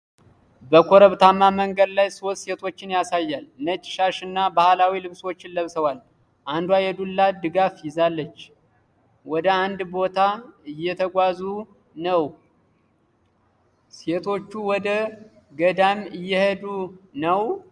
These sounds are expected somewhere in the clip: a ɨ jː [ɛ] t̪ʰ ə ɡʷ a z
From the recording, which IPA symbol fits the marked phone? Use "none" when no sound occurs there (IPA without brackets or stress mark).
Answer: ɛ